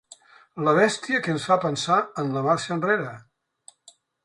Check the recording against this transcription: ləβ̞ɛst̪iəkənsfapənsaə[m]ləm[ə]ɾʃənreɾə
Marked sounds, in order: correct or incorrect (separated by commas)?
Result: incorrect, incorrect